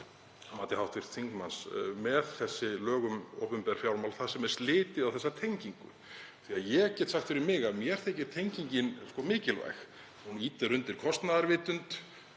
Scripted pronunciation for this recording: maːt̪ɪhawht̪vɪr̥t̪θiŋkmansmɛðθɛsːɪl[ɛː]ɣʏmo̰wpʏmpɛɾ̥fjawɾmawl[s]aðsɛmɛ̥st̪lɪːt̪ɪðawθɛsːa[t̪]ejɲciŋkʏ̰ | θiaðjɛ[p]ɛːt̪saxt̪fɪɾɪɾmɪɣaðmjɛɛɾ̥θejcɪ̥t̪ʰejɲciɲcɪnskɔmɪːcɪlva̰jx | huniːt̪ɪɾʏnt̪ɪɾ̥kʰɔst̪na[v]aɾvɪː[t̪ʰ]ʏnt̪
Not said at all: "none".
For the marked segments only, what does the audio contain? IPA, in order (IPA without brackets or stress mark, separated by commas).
œː, θ, t̪ʰ, c, ð, t̪